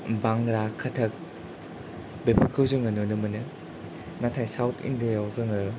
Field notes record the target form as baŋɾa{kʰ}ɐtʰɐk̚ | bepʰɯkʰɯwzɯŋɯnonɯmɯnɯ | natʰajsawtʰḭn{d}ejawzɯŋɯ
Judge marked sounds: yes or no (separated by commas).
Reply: yes, yes